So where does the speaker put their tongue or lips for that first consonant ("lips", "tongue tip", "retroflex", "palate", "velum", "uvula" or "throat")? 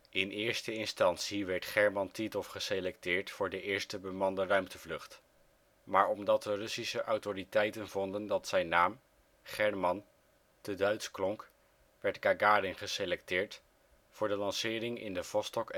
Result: tongue tip